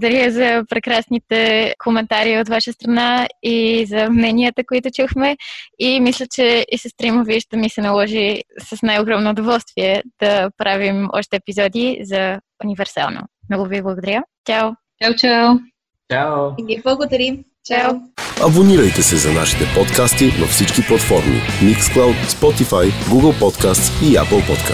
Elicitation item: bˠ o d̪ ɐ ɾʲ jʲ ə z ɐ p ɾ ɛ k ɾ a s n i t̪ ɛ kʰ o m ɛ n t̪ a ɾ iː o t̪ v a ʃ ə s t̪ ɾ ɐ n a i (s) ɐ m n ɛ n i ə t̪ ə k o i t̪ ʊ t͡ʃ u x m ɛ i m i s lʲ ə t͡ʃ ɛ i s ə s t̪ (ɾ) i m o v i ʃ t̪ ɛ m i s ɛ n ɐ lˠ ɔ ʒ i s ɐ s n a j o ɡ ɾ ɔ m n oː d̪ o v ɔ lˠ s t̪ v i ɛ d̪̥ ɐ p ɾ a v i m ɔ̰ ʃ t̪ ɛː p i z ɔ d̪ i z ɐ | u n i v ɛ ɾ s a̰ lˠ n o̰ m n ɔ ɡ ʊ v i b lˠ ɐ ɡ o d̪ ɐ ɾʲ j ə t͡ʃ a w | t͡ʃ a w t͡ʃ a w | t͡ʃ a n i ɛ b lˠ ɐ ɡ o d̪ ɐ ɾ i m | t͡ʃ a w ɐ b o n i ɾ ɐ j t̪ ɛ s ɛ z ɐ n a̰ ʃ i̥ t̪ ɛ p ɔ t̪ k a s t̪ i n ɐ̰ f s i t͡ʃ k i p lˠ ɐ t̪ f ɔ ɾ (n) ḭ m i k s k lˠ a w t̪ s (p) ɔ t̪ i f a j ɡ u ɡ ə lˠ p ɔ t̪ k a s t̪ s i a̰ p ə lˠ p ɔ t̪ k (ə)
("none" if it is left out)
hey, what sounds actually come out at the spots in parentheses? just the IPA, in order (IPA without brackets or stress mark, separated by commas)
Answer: z, ɾ, m, p, a